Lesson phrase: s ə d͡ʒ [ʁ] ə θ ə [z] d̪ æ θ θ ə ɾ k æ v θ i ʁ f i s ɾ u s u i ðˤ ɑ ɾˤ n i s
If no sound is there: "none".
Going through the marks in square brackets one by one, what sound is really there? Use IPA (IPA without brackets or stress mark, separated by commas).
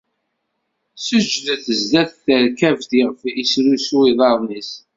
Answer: ð, z